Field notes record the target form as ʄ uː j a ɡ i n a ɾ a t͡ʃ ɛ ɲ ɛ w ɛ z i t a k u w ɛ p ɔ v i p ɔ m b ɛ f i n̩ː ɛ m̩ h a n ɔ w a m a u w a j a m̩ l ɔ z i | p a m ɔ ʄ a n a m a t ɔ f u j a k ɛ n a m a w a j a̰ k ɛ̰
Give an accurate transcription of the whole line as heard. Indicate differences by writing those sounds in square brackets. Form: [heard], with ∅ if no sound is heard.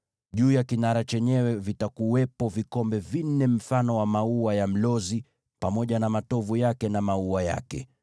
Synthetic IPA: ʄ uː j a [k] i n a ɾ a t͡ʃ ɛ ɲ ɛ w ɛ [v] i t a k u w ɛ p ɔ v i [k] ɔ m b ɛ [v] i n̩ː ɛ m̩ [f] a n ɔ w a m a u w a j a m̩ l ɔ z i | p a m ɔ ʄ a n a m a t ɔ [v] u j a k ɛ n a m a [u] a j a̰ k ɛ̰